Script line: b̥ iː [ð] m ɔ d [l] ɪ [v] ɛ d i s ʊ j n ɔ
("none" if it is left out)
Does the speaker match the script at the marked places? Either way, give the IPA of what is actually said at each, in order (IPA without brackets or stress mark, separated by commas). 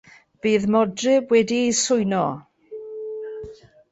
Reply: ð, r, w